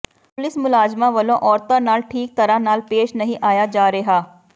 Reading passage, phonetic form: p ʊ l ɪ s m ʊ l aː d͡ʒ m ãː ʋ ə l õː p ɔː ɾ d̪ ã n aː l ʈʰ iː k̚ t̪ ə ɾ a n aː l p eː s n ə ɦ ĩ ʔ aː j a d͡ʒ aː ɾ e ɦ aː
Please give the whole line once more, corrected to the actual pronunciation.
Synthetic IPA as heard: p ʊ l ɪ s m ʊ l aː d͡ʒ m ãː ʋ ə l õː ʔ ɔː ɾ t̪ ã n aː l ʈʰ iː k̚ t̪ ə ɾ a n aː l p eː ʃ n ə ɦ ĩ ʔ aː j a d͡ʒ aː ɾ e ɦ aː